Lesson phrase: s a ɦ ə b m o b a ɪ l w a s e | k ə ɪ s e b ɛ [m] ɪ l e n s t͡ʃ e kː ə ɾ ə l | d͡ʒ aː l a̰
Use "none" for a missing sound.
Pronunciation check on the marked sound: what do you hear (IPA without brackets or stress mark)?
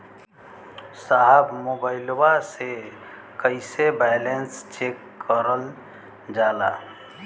none